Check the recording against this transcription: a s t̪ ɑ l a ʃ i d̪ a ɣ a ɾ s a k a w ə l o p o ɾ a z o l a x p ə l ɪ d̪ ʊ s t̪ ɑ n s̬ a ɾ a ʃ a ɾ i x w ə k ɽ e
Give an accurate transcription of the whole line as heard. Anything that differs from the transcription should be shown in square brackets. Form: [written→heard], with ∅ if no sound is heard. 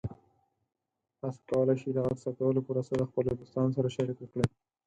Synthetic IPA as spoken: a s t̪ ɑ l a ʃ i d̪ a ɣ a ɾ s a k a w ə l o p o ɾ a [z→s] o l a x p ə l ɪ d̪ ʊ s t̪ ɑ n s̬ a ɾ a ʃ a ɾ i [x→k] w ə k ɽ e